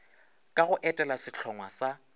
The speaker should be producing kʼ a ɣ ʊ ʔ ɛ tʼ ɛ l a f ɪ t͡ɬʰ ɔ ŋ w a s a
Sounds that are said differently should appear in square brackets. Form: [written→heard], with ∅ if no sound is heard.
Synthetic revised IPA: kʼ a ɣ ʊ ʔ ɛ tʼ ɛ l a [f→s] ɪ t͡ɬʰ ɔ ŋ w a s a